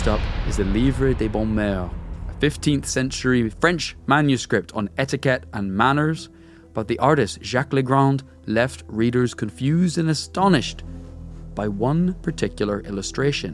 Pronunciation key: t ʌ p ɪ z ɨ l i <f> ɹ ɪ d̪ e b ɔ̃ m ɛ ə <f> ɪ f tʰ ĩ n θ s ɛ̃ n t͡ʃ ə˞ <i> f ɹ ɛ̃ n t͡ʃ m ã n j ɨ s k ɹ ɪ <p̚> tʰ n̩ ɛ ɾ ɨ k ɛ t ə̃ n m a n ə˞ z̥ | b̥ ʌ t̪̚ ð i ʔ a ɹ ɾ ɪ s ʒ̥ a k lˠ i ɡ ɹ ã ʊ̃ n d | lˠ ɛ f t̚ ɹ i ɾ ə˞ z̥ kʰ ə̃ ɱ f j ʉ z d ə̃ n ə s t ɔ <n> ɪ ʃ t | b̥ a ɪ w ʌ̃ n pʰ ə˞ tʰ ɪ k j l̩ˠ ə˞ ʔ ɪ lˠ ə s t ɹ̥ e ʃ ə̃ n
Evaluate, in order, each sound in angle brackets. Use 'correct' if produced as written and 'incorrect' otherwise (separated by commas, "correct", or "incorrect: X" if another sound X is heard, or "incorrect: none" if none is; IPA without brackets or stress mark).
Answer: incorrect: v, correct, correct, correct, correct